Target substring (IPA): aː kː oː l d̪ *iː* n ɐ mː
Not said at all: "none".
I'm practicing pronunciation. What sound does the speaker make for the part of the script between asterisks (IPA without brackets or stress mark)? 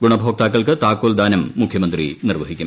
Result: aː